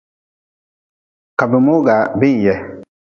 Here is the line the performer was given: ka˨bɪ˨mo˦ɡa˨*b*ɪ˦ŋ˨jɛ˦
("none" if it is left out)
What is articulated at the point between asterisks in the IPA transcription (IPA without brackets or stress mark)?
b